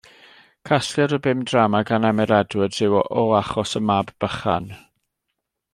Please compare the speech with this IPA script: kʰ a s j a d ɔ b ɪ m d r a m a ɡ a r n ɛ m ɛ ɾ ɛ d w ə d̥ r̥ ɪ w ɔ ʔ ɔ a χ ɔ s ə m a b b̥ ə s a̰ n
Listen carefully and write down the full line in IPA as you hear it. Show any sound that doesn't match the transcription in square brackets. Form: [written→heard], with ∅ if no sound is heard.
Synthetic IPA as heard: kʰ a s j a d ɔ b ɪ m d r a m a ɡ a [r→∅] n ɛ m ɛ ɾ ɛ d w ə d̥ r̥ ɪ w ɔ ʔ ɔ a χ ɔ s ə m a b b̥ ə [s→χ] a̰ n